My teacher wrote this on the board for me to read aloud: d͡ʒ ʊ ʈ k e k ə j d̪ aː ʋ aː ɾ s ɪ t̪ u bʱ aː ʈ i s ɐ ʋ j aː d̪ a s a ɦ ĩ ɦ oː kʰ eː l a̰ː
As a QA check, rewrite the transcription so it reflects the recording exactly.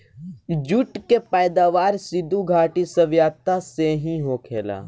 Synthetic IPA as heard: d͡ʒ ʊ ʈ k e p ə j d̪ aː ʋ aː ɾ s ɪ d̪ u ɡʱ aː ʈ i s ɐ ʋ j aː t̪ a s e ɦ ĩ ɦ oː kʰ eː l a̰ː